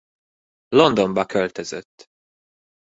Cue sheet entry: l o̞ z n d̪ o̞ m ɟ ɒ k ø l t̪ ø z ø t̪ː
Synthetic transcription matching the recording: l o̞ n d̪ o̞ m b ɒ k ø l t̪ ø z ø t̪ː